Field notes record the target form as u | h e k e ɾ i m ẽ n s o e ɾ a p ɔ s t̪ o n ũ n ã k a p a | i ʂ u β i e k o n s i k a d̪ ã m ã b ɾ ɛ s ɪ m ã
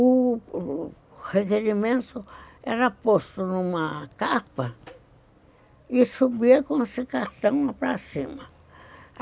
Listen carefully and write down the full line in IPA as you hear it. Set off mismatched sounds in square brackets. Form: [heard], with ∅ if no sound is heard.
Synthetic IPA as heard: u | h e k e ɾ i m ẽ n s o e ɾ a p [o] s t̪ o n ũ [m] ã k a p a | i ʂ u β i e k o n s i k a [t̪] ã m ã [p] ɾ [a] s [i] m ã